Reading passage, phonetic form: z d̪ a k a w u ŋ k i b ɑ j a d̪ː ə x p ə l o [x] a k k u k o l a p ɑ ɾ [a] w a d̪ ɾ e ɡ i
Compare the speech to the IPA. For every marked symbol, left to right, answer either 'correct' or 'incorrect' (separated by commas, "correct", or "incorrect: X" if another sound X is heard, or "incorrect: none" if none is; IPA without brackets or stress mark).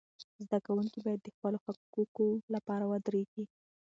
correct, correct